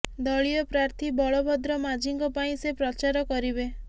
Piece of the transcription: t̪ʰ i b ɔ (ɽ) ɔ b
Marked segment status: incorrect: ɭ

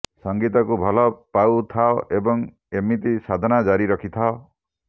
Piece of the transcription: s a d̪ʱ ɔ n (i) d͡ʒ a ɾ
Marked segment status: incorrect: a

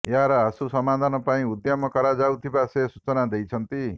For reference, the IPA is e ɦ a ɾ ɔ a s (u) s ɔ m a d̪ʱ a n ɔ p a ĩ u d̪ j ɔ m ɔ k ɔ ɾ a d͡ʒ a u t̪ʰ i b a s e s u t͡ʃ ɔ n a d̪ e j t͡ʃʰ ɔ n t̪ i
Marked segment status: correct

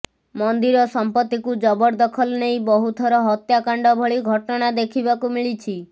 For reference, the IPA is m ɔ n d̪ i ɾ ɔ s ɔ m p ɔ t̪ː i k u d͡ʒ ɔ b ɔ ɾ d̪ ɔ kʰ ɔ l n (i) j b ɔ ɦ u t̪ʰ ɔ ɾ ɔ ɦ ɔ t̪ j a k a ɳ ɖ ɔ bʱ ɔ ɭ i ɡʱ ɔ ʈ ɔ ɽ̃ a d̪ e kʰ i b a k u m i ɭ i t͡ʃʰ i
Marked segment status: incorrect: e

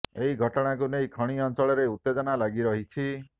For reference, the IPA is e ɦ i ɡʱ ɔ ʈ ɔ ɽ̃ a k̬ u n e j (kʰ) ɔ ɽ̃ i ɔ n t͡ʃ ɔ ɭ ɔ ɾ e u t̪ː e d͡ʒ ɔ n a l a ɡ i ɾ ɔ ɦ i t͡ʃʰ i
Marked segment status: correct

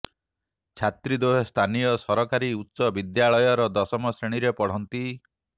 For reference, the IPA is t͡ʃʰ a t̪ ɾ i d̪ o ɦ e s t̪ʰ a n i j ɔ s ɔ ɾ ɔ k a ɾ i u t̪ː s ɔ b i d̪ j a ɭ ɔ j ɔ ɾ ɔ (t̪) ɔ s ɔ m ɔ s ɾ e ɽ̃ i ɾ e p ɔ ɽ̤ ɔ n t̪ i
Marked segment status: incorrect: d̪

